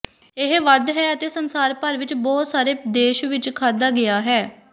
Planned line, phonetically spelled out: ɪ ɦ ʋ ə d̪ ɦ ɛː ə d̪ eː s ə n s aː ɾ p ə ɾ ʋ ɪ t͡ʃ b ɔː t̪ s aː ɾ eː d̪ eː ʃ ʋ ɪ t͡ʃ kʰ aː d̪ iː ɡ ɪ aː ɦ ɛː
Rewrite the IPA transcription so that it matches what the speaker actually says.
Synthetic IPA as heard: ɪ ɦ ʋ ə d̪ ɦ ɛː ə t̪ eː s ə n s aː ɾ p ə ɾ ʋ ɪ t͡ʃ b ɔː t̪ s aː ɾ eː d̪ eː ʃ ʋ ɪ t͡ʃ kʰ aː d̪ aː ɡ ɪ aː ɦ ɛː

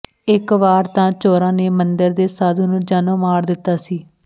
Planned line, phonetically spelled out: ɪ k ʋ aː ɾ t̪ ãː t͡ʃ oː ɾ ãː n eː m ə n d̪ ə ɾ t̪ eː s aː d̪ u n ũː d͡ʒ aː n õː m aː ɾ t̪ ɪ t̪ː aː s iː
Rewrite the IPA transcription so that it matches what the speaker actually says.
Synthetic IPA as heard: ɪ k ʋ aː ɾ t̪ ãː t͡ʃ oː ɾ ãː n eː m ə n d̪ ə ɾ d̪ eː s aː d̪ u n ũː d͡ʒ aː n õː m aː ɾ d̪ ɪ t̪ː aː s iː

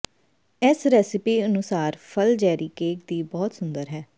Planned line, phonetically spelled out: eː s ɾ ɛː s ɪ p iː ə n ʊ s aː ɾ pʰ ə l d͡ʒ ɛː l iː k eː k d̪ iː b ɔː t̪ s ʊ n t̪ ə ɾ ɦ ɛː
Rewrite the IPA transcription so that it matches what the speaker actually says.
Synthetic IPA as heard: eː s ɾ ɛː s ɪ p iː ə n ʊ s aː ɾ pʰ ə l d͡ʒ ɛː ɾ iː k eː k d̪ iː b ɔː t̪ s ʊ n d̪ ə ɾ ɦ ɛː

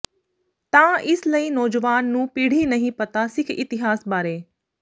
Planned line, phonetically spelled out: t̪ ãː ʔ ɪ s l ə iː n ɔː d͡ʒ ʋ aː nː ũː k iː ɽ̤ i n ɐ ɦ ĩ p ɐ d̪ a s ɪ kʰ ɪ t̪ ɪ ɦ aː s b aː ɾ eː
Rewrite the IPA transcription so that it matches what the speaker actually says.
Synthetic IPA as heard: t̪ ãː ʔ ɪ s l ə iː n ɔː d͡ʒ ʋ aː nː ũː p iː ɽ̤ i n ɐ ɦ ĩ p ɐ t̪ a s ɪ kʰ ɪ t̪ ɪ ɦ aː s b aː ɾ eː

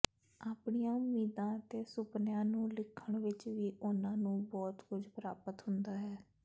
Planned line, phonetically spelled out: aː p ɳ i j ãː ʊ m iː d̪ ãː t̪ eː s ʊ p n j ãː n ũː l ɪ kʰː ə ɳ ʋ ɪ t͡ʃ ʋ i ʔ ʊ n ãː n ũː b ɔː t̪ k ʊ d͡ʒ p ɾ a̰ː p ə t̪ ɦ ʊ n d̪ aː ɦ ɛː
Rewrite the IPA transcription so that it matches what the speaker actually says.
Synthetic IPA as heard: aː p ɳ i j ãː ʊ m iː d̪ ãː t̪ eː s ʊ p n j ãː n ũː l ɪ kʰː ə ɳ ʋ ɪ t͡ʃ ʋ iː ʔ ʊ n ãː n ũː b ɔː t̪ k ʊ d͡ʒ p ɾ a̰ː p ə t̪ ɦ ʊ n d̪ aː ɦ ɛː

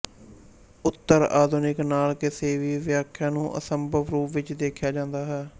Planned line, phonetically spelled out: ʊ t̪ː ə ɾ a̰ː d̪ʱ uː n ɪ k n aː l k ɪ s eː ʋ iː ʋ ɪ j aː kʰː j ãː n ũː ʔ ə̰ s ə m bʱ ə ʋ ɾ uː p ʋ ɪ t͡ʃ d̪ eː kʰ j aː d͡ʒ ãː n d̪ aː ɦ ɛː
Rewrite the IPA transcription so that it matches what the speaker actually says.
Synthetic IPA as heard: ʊ t̪ː ə ɾ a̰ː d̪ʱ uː n ɪ k n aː l k ɪ s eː ʋ iː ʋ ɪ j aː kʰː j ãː n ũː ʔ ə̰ s ə m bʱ ə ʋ ɾ uː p ʋ ɪ t͡ʃ d̪ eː kʰ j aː d͡ʒ ãː n d̪ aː ɦ ɛː

